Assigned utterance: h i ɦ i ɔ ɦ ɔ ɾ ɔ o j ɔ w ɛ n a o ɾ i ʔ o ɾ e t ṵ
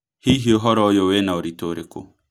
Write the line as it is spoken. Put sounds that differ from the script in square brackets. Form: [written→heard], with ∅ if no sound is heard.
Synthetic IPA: h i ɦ i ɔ ɦ ɔ ɾ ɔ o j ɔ w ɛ n a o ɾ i [ʔ→t] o ɾ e [t→k] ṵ